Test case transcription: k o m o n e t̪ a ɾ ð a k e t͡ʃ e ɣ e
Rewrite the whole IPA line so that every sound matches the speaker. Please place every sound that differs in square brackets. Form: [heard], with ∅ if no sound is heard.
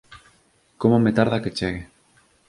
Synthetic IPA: k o m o [m] e t̪ a ɾ ð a k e t͡ʃ e ɣ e